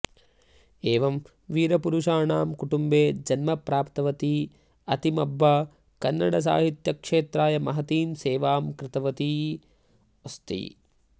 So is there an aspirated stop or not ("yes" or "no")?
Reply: no